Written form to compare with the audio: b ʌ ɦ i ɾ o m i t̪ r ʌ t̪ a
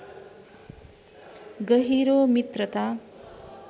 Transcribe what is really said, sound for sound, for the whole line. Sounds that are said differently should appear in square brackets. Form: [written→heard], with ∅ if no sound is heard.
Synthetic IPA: [b→ɡ] ʌ ɦ i ɾ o m i t̪ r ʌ t̪ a